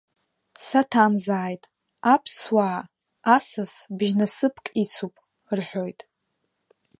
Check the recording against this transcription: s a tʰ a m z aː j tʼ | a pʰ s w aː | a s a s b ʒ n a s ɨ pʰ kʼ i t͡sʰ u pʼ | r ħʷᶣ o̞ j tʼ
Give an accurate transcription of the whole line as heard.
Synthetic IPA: s a tʰ a m z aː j tʼ | a pʰ s w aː | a s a s b ʒ n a s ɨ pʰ kʼ i t͡sʰ u pʼ | r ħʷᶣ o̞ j tʼ